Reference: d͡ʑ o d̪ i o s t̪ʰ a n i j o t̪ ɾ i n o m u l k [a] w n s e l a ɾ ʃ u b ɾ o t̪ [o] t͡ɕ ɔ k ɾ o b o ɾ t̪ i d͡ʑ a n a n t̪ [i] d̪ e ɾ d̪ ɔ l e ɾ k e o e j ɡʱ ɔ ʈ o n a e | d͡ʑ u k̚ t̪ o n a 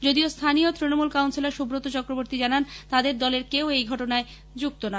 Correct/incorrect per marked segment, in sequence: correct, correct, incorrect

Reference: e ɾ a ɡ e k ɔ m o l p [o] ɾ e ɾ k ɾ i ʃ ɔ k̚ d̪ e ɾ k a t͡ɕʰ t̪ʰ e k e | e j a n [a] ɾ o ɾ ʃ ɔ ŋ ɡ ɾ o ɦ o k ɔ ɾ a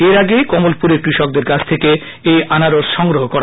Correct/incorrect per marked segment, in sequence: incorrect, correct

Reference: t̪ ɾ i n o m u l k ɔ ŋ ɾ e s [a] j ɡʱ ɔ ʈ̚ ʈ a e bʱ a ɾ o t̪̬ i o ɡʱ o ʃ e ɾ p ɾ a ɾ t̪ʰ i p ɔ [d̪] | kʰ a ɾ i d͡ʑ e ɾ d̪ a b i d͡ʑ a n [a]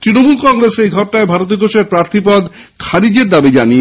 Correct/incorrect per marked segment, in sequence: incorrect, correct, incorrect

